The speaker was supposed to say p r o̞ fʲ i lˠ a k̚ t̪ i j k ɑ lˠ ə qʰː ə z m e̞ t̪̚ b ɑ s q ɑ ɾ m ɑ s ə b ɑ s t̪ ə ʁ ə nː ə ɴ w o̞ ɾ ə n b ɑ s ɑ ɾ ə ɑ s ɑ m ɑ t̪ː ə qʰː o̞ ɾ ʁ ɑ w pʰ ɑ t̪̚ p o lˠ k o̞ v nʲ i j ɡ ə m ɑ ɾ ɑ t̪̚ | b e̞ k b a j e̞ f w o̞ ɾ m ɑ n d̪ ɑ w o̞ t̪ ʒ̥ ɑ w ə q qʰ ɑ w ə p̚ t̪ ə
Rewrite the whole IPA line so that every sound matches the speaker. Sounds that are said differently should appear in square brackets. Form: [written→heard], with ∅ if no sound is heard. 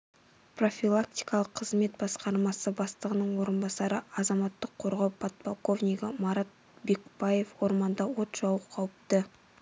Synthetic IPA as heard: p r o̞ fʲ i lˠ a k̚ t̪ i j k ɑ lˠ ə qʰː ə z m e̞ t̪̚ b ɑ s q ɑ ɾ m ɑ s ə b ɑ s t̪ ə ʁ ə [nː→n] ə ɴ w o̞ ɾ ə n b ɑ s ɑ ɾ ə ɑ [s→z] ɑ m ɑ t̪ː ə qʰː o̞ ɾ ʁ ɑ w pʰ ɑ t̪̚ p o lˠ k o̞ v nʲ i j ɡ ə m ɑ ɾ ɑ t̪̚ | b e̞ k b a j e̞ f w o̞ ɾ m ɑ n d̪ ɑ w o̞ t̪ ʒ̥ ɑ w ə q qʰ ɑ w ə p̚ t̪ ə